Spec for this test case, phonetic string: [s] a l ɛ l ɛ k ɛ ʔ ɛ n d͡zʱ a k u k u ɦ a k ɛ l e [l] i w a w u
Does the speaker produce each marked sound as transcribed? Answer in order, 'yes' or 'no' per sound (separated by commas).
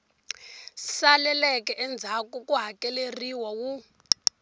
yes, no